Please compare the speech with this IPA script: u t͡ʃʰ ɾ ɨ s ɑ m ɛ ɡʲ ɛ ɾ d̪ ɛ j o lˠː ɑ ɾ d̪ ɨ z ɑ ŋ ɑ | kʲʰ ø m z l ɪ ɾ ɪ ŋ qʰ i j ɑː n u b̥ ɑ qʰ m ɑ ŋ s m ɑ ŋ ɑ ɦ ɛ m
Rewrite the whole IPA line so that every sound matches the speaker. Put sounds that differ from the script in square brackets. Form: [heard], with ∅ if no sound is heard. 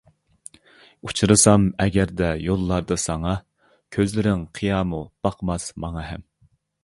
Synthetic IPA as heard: u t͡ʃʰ ɾ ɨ s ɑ m ɛ ɡʲ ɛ ɾ d̪ ɛ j o lˠː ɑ ɾ d̪ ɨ [s] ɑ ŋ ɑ | kʲʰ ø [∅] z l ɪ ɾ ɪ ŋ qʰ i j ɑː [m] u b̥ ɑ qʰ m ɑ [∅] s m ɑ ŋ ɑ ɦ ɛ m